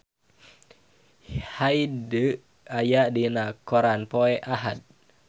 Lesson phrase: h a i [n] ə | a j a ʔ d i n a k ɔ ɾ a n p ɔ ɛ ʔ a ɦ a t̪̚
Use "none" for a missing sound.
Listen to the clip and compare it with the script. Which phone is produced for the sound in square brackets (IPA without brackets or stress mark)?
d